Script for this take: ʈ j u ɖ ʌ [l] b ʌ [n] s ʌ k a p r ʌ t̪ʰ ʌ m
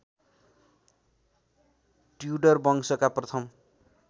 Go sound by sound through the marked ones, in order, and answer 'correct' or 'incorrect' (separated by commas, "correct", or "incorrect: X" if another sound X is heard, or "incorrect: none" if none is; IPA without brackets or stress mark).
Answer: incorrect: r, incorrect: ŋ